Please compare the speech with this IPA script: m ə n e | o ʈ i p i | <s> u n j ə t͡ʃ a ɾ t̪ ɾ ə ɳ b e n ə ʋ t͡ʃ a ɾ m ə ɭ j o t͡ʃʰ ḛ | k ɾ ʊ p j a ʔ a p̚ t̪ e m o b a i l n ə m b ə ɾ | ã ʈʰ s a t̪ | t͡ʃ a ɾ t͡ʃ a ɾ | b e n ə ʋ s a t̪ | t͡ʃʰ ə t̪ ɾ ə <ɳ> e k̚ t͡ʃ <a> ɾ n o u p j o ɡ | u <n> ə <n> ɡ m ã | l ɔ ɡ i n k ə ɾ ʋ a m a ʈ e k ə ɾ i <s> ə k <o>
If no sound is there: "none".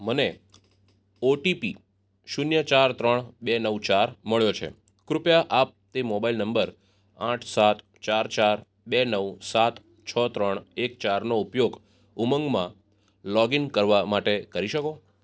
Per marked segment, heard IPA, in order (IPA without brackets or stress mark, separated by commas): ʃ, ɳ, a, m, ŋ, ʃ, o